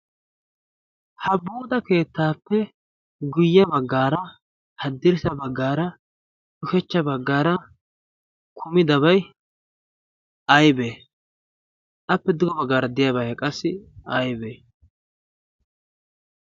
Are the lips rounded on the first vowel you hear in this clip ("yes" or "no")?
no